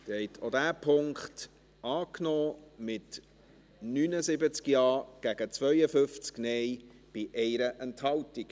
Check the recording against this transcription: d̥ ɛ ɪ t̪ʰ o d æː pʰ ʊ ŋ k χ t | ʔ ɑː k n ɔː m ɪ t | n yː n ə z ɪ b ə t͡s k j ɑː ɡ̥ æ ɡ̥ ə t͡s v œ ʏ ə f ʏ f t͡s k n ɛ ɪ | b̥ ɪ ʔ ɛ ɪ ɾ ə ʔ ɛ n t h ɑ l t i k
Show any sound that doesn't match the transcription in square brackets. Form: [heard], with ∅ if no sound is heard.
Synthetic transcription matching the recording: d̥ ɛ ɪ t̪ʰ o d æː pʰ ʊ ŋ k χ t | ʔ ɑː k n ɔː m ɪ t | n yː n ə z ɪ b ə t͡s k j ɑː ɡ̥ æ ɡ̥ ə t͡s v œ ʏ ə f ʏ f t͡s k n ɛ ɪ | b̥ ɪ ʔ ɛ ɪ ɾ ə ʔ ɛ n t h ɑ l t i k